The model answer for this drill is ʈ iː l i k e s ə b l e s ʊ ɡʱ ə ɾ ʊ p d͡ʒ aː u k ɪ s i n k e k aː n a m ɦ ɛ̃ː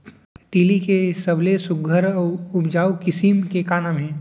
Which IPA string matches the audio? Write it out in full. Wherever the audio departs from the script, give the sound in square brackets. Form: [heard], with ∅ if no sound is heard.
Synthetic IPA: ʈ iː l i k e s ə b l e s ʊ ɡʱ ə ɾ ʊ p d͡ʒ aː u k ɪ s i [m] k e k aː n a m ɦ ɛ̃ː

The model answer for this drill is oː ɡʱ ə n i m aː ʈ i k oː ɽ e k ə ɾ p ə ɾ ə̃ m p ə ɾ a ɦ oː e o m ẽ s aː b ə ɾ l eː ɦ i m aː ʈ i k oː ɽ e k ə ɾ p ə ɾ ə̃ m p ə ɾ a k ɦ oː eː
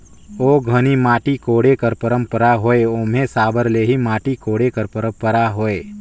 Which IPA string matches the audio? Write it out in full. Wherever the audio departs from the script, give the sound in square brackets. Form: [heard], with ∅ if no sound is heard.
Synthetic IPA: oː ɡʱ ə n i m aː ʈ i k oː ɽ e k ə ɾ p ə ɾ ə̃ m p ə ɾ a ɦ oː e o m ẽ s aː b ə ɾ l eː ɦ i m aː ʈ i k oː ɽ e k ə ɾ p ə ɾ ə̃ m p ə ɾ a [∅] ɦ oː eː

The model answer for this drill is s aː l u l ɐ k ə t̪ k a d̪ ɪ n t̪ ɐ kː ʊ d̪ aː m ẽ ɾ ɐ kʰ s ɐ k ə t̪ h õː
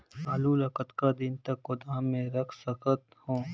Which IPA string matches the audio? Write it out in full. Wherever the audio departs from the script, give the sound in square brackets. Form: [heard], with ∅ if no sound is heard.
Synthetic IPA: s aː l u l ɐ k ə t̪ k a d̪ ɪ n t̪ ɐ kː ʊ d̪ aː m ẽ ɾ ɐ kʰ s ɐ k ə t̪ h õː

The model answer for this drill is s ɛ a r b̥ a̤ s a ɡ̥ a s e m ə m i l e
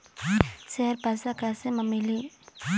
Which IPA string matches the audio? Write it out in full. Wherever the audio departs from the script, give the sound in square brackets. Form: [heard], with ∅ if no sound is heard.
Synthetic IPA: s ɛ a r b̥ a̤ s a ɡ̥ a s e m ə m i l [i]

